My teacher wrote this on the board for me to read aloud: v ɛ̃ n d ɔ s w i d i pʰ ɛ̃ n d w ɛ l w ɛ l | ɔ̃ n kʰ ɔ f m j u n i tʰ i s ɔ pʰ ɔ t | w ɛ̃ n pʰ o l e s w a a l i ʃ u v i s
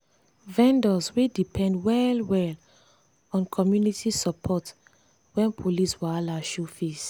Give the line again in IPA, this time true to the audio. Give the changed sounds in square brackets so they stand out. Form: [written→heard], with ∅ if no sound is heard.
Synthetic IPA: v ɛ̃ n d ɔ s w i d i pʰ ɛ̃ n d w ɛ l w ɛ l | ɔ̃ n kʰ ɔ [f→∅] m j u n i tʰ i s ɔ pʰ ɔ t | w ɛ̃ n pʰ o l [e→i] s w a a l [i→a] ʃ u [v→f] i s